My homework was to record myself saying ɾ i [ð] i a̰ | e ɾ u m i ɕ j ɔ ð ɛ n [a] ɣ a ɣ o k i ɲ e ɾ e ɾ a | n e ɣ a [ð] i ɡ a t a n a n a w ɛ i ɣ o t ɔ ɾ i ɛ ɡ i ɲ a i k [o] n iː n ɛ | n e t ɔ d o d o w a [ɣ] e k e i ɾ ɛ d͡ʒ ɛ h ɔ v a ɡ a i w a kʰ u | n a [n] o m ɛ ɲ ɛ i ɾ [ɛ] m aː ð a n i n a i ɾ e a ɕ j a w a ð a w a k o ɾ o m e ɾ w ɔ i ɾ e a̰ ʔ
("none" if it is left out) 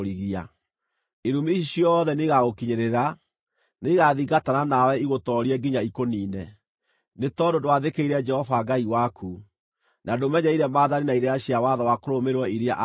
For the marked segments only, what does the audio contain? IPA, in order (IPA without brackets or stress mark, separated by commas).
ɣ, e, ð, o, ð, d, ɛ